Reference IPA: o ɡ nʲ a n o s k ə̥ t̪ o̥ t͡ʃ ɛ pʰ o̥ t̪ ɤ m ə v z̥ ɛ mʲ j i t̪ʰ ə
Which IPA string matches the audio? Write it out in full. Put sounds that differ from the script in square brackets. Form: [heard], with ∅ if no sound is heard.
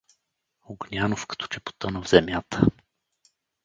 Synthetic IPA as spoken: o ɡ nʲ a n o [f] k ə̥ t̪ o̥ t͡ʃ ɛ [p] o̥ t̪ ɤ [n] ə v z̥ ɛ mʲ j [a] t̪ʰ ə

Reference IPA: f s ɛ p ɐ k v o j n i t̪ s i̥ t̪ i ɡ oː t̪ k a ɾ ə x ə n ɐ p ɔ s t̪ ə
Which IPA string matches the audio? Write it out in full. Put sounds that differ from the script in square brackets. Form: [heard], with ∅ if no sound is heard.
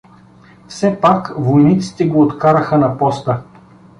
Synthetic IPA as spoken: f s ɛ p [a] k v o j n i t̪ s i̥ t̪ [ɛ] ɡ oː t̪ k a ɾ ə x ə n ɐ p ɔ s t̪ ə

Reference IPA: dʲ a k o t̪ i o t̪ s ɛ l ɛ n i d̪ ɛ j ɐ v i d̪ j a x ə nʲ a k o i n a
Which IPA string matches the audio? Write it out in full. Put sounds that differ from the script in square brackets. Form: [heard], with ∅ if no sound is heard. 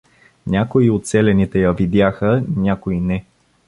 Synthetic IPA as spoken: [nʲ] a k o [∅] i o t̪ s ɛ l ɛ n i [t̪] ɛ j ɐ v i d̪ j a x ə nʲ a k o i n [ɛ]

